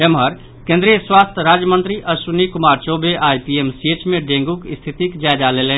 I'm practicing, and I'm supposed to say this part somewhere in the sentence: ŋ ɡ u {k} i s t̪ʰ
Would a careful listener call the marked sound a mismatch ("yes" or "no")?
no